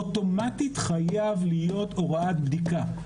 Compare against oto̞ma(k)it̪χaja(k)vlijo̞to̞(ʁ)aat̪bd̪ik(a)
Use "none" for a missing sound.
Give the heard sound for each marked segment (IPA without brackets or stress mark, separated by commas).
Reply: t, none, ʁ, a